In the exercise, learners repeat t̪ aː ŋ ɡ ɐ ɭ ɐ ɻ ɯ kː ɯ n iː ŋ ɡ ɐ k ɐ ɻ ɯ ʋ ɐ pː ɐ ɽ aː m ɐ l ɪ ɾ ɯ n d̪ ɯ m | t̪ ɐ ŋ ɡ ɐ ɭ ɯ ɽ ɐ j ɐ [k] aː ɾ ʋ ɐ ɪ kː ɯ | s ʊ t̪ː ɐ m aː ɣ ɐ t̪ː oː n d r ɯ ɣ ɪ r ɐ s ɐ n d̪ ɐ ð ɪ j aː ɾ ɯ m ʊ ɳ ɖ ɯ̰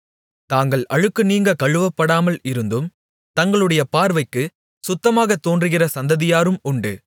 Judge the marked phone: incorrect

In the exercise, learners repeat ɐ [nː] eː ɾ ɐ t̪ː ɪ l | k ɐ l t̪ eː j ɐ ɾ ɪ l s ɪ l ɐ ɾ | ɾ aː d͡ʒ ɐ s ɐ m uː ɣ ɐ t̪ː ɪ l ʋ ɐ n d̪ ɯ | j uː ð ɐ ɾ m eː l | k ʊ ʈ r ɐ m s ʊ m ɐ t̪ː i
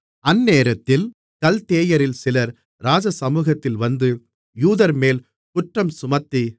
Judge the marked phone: correct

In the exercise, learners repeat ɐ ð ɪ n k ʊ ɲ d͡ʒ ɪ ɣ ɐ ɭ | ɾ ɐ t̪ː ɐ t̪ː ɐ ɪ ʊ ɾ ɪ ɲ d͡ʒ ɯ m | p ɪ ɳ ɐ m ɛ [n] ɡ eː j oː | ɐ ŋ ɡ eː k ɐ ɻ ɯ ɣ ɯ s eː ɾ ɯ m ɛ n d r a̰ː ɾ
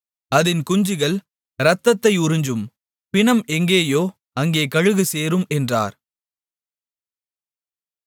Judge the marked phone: incorrect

